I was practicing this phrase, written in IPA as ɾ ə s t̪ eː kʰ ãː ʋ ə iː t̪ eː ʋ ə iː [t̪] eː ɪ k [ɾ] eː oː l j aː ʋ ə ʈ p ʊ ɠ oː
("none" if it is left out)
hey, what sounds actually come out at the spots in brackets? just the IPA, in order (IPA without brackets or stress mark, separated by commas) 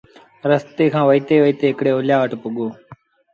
t̪, ɽ